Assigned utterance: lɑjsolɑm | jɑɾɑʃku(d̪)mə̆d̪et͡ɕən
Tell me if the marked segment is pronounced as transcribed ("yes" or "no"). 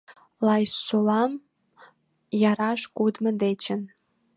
yes